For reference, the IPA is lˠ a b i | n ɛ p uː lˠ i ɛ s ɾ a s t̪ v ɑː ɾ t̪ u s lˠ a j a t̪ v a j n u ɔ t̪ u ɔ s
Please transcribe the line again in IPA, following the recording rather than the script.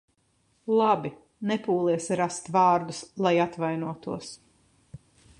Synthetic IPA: lˠ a b i | n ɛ p uː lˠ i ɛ s ɾ a s t̪ v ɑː ɾ d̪ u s lˠ a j a t̪ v a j n u ɔ t̪ u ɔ s